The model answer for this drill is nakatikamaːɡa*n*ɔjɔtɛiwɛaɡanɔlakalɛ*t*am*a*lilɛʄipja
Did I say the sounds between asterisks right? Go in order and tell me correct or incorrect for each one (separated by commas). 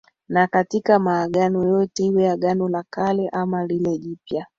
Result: correct, incorrect, correct